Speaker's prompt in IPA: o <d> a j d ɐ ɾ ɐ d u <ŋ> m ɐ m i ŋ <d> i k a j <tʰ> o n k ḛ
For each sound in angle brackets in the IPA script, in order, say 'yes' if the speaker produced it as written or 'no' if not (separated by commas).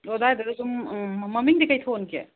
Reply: yes, no, yes, yes